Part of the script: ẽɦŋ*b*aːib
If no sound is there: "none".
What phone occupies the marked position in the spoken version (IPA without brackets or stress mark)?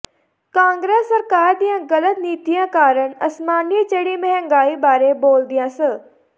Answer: ɡ